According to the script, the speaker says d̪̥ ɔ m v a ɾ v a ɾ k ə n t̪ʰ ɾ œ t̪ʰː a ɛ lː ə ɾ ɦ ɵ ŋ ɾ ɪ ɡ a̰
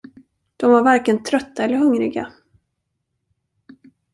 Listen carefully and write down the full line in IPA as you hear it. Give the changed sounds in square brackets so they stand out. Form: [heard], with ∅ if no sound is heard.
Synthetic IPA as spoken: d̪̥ ɔ m v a ɾ v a ɾ k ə n t̪ʰ ɾ œ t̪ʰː a ɛ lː ə ɾ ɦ ɵ ŋ ɾ ɪ ɡ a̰